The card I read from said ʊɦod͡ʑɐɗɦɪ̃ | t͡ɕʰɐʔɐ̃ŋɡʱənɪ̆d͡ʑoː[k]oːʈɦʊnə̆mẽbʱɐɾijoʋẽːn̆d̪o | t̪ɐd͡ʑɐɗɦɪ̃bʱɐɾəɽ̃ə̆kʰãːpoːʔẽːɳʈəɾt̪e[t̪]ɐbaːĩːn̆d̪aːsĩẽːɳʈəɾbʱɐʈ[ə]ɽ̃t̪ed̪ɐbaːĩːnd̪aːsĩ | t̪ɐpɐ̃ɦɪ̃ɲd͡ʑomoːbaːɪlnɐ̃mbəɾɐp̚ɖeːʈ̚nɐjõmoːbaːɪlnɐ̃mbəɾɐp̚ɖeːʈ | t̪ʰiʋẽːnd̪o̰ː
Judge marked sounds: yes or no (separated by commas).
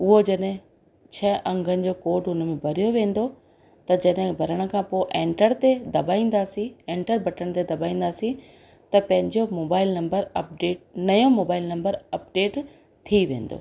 yes, no, yes